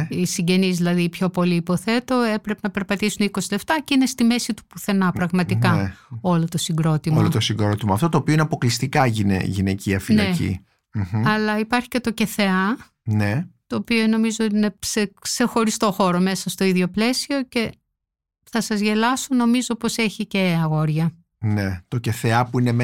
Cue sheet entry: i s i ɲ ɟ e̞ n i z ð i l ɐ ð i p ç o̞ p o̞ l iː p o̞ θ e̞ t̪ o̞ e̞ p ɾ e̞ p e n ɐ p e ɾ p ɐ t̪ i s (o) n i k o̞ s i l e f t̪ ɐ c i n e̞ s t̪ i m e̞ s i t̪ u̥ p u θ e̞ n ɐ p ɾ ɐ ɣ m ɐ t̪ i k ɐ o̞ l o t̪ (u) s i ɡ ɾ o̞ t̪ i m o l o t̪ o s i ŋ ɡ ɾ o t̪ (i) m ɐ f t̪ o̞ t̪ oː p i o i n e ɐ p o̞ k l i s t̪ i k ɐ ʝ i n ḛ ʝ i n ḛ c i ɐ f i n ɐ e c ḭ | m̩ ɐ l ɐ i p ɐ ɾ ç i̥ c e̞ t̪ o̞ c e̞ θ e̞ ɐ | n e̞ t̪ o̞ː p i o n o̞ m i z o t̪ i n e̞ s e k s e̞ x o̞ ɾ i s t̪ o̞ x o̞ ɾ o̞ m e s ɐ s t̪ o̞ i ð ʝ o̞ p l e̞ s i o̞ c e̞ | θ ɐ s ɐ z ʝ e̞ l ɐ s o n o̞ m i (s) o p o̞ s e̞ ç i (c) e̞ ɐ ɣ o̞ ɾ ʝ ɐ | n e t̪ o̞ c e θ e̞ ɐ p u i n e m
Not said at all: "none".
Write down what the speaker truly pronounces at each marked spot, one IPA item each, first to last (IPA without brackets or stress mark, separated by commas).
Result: u, o, i, z, c